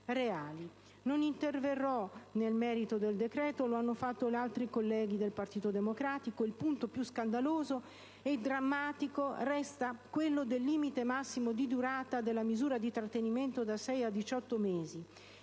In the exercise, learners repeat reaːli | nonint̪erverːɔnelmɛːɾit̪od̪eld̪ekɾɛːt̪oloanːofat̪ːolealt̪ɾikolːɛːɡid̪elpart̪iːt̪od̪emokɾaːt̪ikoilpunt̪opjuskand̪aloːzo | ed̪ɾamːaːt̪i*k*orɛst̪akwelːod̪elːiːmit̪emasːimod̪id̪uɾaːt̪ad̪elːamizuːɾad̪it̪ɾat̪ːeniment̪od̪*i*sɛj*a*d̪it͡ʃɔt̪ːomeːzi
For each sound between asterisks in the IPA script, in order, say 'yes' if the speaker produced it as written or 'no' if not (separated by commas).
yes, no, yes